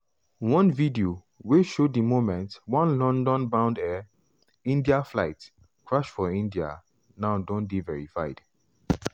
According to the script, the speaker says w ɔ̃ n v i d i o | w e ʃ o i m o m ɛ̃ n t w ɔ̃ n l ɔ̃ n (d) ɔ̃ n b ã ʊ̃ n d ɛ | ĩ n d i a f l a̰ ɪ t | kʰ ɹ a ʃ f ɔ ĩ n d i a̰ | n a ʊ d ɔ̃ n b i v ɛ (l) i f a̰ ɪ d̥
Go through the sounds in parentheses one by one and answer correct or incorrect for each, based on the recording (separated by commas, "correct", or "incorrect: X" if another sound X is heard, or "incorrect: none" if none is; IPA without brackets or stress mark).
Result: correct, incorrect: ɹ